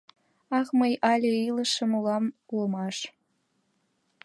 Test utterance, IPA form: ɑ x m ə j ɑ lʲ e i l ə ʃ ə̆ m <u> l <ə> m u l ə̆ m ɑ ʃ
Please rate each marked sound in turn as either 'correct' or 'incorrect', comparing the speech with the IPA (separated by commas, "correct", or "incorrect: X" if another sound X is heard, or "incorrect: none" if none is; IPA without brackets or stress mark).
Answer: correct, incorrect: ɑ